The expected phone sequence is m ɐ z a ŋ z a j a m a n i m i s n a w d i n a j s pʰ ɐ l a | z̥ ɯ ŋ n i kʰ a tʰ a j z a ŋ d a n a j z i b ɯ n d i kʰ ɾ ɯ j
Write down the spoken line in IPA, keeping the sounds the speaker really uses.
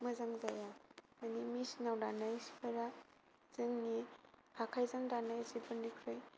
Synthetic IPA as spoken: m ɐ z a ŋ z a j a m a n i m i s n a w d a n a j s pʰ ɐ ɾ a | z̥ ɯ ŋ n i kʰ a kʰ a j z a ŋ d a n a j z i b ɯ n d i kʰ ɾ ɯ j